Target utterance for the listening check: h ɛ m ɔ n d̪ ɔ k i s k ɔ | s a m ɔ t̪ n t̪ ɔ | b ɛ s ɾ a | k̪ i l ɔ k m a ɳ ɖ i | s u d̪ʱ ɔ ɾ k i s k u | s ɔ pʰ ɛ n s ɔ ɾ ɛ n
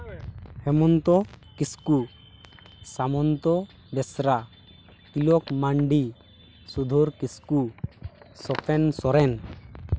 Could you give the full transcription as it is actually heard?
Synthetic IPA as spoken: h ɛ m ɔ n t̪ ɔ k i s k u | s a m ɔ n t̪ ɔ | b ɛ s ɾ a | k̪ i l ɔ k m a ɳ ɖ i | s u d̪ʱ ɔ ɾ k i s k u | s ɔ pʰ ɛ n s ɔ ɾ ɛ n